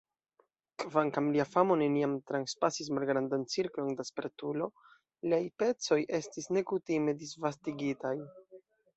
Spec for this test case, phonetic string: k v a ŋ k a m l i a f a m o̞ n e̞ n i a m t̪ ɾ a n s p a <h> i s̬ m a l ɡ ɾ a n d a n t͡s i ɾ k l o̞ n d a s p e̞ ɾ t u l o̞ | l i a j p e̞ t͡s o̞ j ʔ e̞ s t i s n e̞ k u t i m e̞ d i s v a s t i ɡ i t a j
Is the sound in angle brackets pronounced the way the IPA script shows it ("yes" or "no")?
no